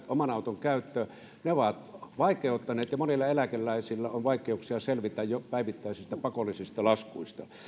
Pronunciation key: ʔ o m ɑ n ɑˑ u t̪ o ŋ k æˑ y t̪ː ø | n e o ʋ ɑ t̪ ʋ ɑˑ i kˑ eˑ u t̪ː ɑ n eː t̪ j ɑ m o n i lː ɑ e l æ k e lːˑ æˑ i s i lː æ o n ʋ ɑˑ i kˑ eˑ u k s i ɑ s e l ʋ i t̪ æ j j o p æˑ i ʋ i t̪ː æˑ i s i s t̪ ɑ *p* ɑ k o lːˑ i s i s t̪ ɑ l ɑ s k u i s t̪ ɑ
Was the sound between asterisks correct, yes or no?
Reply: yes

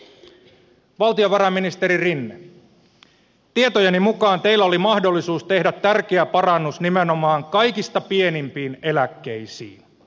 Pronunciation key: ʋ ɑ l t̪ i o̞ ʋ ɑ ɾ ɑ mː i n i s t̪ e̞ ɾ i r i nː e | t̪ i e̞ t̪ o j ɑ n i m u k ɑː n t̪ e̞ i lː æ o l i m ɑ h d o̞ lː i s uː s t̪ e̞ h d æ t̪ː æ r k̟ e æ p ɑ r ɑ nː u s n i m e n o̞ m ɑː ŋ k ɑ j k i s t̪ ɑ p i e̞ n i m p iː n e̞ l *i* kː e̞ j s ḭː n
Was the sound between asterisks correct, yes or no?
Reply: no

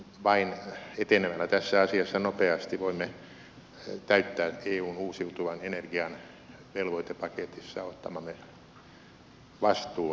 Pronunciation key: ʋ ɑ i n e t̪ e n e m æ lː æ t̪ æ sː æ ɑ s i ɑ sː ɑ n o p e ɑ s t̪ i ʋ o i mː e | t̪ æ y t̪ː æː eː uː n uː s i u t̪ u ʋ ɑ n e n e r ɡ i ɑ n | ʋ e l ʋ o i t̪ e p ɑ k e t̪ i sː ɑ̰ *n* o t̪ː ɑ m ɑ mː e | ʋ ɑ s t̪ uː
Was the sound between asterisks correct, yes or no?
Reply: no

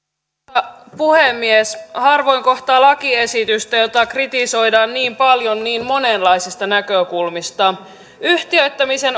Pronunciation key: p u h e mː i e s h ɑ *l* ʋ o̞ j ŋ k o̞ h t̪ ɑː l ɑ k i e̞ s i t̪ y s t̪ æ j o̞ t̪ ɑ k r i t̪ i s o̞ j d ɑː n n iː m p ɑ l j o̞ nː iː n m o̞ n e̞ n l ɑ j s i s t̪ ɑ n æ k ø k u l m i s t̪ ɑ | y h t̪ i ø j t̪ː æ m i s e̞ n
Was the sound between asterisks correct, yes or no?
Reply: no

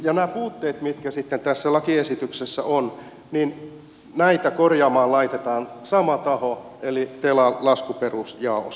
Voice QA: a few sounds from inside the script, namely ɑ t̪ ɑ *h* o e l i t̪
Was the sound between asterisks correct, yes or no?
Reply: yes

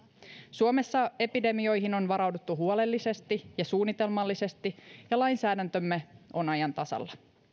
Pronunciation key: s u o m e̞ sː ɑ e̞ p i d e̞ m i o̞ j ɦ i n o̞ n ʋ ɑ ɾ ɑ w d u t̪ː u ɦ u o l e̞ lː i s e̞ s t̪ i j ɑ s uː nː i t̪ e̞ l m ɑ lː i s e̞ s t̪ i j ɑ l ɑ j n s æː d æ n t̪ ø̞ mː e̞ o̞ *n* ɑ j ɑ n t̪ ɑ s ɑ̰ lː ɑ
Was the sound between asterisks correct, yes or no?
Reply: yes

